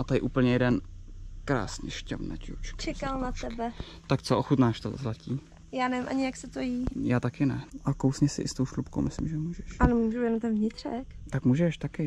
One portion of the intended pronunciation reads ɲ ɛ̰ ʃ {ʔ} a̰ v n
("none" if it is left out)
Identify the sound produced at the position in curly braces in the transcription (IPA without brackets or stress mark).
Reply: c